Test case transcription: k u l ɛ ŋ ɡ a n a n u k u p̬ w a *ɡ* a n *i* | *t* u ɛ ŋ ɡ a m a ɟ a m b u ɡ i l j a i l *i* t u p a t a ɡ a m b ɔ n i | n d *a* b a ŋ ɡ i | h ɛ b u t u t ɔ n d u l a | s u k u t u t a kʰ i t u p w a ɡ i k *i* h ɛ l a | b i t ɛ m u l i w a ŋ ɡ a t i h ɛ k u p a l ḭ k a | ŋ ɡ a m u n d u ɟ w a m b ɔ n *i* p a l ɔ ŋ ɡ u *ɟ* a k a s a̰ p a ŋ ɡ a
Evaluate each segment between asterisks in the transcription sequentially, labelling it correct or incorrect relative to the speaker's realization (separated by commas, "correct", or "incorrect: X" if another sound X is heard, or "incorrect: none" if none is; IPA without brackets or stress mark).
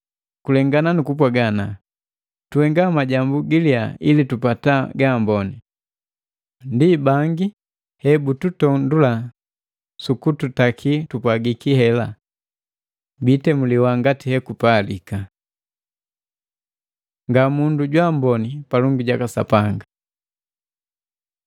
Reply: correct, incorrect: a, correct, correct, incorrect: i, correct, correct, correct